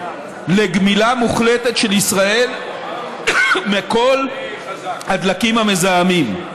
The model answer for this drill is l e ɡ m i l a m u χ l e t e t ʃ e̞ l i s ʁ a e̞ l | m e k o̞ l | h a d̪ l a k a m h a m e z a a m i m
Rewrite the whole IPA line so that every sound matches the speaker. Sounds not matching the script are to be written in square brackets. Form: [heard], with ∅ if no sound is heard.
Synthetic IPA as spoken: l e ɡ m i l a m u χ l e t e t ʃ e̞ l i s ʁ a e̞ l | m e k o̞ l | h a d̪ l a k [i] m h a m e z a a m i m